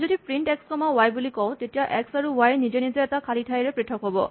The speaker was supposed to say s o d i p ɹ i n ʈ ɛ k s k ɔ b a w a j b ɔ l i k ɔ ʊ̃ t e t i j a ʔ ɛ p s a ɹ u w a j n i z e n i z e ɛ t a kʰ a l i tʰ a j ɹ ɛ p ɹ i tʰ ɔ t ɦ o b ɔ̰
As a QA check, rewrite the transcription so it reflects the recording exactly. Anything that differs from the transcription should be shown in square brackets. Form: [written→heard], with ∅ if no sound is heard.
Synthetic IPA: [s→z] o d i p ɹ i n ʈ ɛ k s k ɔ [b→m] a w a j b [ɔ→u] l i k ɔ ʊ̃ t e t i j a ʔ ɛ [p→k] s a ɹ u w a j n i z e n i z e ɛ t a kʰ a l i tʰ a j ɹ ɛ p ɹ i tʰ ɔ [t→k] ɦ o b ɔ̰

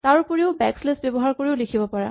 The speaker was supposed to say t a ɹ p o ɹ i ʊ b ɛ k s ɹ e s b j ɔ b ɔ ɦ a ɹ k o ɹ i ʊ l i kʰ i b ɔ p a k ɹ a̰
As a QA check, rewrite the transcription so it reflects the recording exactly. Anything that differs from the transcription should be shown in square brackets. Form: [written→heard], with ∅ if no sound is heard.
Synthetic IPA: t a ɹ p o ɹ i ʊ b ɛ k s [ɹ→l] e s b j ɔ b ɔ ɦ a ɹ k o ɹ i ʊ l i kʰ i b ɔ p a [k→∅] ɹ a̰

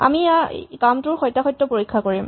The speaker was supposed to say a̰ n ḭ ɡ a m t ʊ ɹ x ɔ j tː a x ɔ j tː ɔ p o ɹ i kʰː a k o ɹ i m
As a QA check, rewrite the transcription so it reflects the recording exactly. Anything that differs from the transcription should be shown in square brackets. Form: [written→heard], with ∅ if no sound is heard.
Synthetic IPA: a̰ [n→m] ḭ [ɡ→k] a m t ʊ ɹ x ɔ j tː a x ɔ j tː ɔ p o ɹ i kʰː a k o ɹ i m

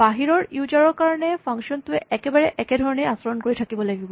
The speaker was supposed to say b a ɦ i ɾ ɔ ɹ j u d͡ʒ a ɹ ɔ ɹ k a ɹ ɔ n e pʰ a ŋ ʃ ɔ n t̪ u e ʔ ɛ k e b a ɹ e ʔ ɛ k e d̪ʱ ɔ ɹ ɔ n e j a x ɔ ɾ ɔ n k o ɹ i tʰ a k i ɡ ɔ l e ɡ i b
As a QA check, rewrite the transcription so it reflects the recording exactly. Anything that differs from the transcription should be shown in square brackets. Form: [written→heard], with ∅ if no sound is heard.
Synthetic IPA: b a ɦ i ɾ ɔ ɹ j u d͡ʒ a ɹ ɔ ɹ k a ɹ ɔ n e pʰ a ŋ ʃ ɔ n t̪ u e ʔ ɛ k e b a ɹ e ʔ ɛ k e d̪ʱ ɔ ɹ ɔ n e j a [x→s] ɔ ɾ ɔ n k o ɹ i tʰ a k i [ɡ→b] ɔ l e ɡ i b

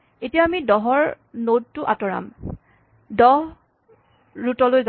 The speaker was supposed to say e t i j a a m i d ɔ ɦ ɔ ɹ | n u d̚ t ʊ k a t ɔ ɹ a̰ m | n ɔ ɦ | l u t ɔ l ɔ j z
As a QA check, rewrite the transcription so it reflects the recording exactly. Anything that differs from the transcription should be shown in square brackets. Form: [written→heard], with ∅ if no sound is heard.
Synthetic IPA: e t i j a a m i d ɔ ɦ ɔ ɹ | n [u→o] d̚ t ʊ [k→ʔ] a t ɔ ɹ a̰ m | [n→d] ɔ ɦ | [l→ɹ] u t ɔ l [ɔ→o] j z

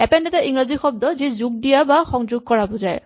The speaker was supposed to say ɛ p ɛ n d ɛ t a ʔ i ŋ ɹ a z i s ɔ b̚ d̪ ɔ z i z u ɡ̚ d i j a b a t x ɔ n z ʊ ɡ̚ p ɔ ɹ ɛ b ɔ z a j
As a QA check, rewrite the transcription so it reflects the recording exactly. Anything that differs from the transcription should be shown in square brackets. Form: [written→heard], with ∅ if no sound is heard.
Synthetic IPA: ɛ p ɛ n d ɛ t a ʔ i ŋ ɹ a z i [s→x] ɔ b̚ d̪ ɔ z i z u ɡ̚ d i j a b a [t→∅] x ɔ [n→ŋ] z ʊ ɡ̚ [p→k] ɔ ɹ [ɛ→a] b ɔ z a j

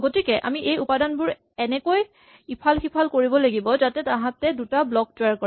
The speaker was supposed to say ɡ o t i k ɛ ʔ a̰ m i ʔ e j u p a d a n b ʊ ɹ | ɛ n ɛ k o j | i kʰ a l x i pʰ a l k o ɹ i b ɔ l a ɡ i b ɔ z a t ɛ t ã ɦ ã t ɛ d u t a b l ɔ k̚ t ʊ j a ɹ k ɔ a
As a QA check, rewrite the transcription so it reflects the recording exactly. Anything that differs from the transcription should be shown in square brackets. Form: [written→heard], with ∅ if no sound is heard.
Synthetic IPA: ɡ o t i k ɛ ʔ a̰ m i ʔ e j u p a d a n b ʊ ɹ | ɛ n ɛ k o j | i [kʰ→pʰ] a l x i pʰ a l k o ɹ i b ɔ l a ɡ i b ɔ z a t ɛ t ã ɦ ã t ɛ d u t a b l ɔ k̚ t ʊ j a ɹ k ɔ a

